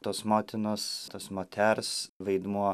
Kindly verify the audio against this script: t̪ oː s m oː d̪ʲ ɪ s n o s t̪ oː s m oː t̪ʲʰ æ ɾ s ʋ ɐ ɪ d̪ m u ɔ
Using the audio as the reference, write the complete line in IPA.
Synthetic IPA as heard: t̪ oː s m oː t̪ʲ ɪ n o s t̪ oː s m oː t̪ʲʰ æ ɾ s ʋ ɐ ɪ d̪ m u ɔ